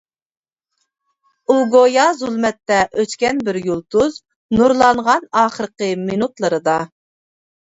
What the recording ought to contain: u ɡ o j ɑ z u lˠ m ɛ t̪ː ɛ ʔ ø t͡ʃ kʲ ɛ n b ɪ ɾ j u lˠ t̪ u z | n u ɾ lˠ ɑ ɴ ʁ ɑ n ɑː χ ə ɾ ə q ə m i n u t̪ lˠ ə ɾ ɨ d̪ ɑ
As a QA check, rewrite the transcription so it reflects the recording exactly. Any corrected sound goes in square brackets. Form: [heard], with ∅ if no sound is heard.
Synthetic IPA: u ɡ o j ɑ z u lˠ m ɛ t̪ː ɛ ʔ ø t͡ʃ kʲ ɛ n b ɪ ɾ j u lˠ t̪ u z | n u ɾ lˠ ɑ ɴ ʁ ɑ n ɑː χ ə ɾ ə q ə m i n u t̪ lˠ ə ɾ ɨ d̪ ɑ